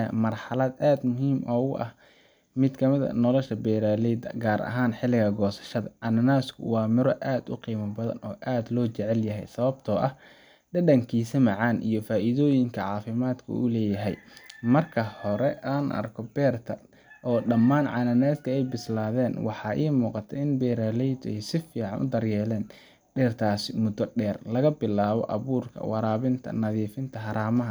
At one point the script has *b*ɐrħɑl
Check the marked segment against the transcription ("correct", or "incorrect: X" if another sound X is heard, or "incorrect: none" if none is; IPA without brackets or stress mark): incorrect: m